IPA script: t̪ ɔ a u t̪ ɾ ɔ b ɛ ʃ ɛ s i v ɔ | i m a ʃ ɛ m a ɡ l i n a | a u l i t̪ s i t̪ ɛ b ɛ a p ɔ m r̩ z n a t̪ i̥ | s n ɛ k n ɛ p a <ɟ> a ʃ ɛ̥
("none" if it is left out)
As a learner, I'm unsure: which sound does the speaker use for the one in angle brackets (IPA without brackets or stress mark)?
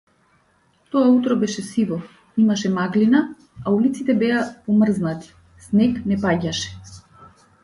ɟ